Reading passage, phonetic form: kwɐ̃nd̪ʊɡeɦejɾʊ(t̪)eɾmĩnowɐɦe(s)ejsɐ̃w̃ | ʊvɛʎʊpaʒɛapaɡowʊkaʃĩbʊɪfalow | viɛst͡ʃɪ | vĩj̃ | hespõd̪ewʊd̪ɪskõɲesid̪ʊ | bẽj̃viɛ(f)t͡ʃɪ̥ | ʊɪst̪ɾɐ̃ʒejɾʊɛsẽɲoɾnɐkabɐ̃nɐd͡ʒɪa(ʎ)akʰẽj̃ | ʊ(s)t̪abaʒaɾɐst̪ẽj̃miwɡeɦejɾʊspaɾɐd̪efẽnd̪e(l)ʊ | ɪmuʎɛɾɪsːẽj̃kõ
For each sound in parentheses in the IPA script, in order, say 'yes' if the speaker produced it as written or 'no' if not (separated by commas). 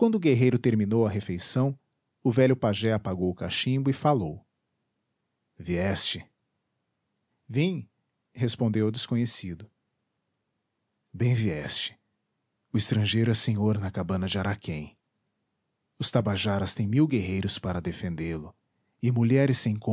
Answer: yes, no, no, no, yes, yes